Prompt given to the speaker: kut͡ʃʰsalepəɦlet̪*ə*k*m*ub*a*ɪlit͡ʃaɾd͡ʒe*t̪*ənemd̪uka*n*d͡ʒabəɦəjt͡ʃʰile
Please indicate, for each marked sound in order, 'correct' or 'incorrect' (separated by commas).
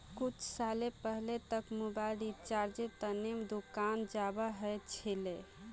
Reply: correct, correct, correct, correct, correct